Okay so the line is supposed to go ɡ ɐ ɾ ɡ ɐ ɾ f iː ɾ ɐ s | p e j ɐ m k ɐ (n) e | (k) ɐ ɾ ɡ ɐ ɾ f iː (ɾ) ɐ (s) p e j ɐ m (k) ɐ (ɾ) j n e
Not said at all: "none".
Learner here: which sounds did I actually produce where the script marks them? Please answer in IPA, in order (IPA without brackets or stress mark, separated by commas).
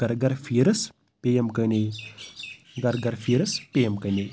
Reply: n, ɡ, ɾ, s, k, none